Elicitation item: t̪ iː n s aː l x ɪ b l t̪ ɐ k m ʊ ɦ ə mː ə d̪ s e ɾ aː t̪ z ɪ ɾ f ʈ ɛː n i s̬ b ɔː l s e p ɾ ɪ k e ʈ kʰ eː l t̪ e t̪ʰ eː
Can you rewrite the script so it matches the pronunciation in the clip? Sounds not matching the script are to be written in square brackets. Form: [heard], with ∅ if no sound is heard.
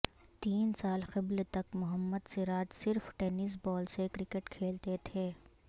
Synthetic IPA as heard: t̪ iː n s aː l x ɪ b l t̪ ɐ k m ʊ ɦ ə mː ə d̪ s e ɾ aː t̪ [s] ɪ ɾ f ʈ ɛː n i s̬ b ɔː l s e [k] ɾ ɪ k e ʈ kʰ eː l t̪ e t̪ʰ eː